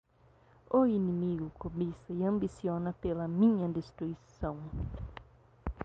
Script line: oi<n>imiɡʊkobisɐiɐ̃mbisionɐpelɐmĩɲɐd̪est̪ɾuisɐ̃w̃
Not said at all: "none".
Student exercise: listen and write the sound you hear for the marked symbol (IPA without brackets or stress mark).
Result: n